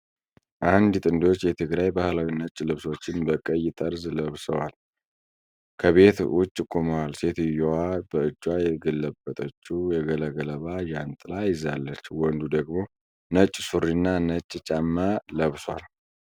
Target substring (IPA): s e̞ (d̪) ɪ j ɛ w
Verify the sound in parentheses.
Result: incorrect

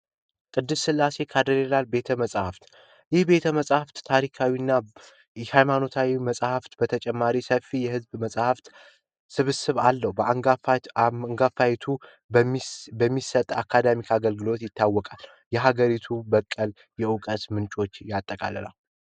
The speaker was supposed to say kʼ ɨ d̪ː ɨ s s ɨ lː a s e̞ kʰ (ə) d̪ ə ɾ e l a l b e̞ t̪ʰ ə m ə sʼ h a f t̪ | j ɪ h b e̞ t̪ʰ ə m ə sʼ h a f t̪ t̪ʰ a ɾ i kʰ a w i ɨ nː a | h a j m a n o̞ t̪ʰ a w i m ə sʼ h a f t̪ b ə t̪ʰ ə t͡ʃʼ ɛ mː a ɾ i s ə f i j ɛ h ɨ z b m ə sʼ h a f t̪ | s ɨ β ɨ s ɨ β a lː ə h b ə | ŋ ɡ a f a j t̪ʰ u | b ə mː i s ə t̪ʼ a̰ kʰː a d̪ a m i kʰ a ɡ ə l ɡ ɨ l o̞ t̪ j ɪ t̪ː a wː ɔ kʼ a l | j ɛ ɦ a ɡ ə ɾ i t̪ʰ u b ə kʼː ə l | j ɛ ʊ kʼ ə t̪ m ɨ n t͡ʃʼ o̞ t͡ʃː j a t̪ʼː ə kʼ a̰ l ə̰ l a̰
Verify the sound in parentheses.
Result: incorrect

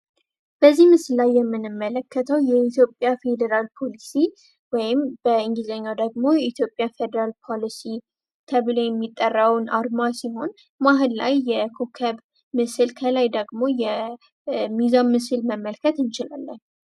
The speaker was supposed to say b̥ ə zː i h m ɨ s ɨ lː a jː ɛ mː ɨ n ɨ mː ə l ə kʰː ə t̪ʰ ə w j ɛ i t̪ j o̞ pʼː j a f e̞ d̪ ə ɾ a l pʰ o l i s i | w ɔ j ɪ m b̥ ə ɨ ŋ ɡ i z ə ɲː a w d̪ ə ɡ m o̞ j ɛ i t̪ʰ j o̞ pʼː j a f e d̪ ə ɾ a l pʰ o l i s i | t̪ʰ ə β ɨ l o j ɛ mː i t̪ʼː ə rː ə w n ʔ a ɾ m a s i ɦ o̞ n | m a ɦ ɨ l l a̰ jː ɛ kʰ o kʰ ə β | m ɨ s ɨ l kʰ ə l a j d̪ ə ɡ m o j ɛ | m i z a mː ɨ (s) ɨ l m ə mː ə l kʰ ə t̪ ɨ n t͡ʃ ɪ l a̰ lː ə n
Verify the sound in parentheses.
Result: correct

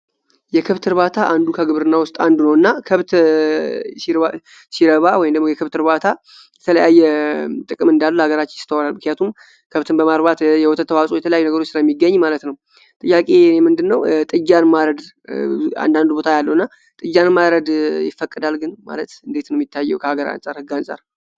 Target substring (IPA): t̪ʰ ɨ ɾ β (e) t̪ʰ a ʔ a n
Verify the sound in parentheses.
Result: incorrect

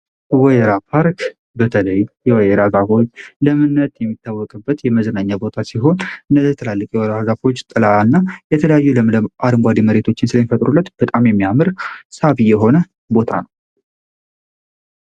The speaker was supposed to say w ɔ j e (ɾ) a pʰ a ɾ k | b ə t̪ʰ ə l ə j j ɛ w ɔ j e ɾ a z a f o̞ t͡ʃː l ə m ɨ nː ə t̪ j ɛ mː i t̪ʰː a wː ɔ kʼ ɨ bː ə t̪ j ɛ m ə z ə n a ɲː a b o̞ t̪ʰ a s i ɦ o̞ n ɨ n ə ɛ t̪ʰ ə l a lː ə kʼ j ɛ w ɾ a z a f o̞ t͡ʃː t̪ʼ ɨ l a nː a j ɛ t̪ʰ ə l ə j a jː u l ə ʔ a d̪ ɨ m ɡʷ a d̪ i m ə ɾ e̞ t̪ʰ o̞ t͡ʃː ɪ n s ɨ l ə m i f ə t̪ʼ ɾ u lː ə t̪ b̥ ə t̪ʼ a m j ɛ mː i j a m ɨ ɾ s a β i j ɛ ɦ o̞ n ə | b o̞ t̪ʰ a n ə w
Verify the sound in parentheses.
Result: correct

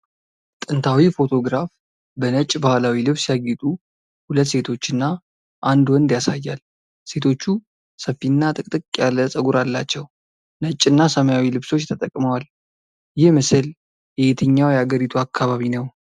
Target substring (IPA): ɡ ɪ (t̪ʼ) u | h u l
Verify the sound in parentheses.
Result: correct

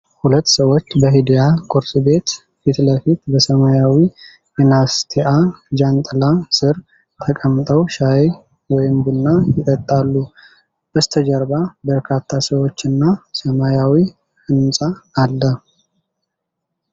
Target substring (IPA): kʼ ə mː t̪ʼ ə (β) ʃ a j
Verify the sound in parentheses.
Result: incorrect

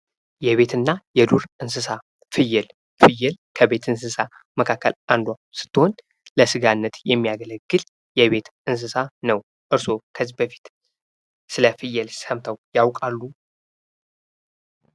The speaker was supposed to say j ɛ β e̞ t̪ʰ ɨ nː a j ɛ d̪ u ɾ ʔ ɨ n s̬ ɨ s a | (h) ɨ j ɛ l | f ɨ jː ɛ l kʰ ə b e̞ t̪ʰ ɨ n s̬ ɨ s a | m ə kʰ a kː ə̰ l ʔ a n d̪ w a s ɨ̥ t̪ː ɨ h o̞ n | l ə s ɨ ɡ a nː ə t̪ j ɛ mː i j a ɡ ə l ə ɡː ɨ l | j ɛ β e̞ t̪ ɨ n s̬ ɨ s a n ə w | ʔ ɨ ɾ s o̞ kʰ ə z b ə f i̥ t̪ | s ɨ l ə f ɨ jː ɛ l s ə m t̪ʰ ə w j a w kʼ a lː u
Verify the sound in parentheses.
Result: incorrect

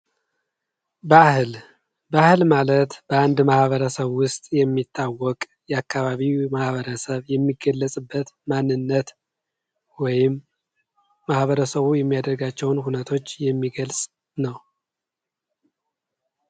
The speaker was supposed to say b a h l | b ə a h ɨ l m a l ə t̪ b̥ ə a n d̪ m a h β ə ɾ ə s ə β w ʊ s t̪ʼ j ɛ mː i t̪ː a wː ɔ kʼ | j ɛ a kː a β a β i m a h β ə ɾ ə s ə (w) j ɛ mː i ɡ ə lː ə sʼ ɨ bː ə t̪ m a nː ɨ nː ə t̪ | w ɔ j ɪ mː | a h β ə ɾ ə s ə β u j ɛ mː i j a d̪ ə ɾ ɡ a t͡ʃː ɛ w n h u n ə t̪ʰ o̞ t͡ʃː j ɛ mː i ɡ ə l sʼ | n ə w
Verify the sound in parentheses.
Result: incorrect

